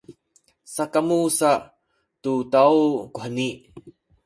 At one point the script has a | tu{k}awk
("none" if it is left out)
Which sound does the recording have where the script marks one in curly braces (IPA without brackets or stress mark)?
t